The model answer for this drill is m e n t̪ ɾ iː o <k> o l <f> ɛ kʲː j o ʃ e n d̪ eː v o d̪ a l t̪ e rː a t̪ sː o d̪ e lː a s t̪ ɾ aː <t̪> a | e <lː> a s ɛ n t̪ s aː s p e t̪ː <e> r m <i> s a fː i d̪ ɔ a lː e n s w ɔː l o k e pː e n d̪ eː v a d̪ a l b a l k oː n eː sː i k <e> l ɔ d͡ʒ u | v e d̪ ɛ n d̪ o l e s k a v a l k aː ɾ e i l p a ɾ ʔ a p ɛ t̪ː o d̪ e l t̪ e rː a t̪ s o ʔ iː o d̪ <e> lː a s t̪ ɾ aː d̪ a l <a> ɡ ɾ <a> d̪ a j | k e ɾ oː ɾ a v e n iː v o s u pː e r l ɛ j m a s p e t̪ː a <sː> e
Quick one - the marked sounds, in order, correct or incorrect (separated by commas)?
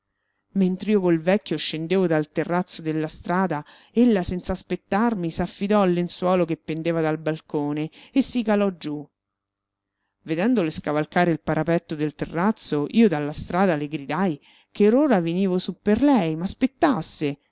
correct, incorrect, incorrect, correct, incorrect, correct, incorrect, incorrect, incorrect, incorrect, correct